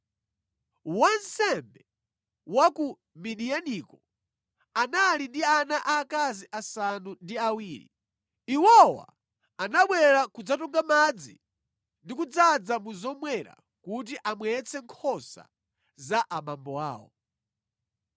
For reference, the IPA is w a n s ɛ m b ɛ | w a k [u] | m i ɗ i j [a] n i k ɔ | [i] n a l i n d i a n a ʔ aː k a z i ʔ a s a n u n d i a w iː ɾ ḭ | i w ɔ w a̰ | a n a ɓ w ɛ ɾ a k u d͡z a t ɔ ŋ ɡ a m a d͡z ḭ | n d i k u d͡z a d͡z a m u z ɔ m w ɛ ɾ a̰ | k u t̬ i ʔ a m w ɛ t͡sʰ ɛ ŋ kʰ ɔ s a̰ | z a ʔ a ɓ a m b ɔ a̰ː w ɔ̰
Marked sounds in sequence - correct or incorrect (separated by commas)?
correct, correct, incorrect